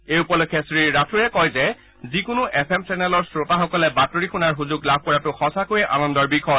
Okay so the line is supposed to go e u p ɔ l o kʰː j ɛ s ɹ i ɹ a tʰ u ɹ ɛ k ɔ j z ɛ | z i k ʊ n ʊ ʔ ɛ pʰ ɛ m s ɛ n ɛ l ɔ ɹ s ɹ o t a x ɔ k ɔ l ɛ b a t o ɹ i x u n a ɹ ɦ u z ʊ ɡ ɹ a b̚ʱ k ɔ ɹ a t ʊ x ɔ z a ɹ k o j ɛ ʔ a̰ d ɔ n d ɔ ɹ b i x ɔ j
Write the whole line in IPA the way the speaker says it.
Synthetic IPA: e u p ɔ l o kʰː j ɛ s ɹ i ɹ a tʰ u ɹ ɛ k ɔ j z ɛ | z i k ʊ n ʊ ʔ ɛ pʰ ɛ m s ɛ n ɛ l ɔ ɹ s ɹ o t a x ɔ k ɔ l ɛ b a t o ɹ i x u n a ɹ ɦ u z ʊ ɡ l a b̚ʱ k ɔ ɹ a t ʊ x ɔ s a k o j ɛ ʔ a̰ n ɔ n d ɔ ɹ b i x ɔ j